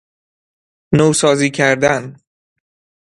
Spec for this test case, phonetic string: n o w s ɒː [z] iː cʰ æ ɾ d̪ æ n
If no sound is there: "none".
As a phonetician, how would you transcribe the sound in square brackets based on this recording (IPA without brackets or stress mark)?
z